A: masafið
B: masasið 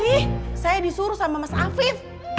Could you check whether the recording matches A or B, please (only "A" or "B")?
A